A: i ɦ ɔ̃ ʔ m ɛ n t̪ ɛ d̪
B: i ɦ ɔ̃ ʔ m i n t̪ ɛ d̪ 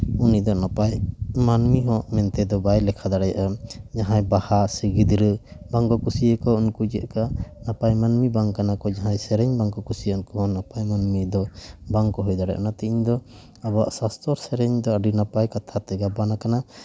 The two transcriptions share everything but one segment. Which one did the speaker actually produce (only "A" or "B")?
A